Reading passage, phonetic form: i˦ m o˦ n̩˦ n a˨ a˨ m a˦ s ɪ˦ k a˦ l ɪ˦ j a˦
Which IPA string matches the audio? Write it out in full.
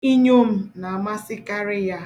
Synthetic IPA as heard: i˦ ɲ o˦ m̩˦ n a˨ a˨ m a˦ s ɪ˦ k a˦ ɾ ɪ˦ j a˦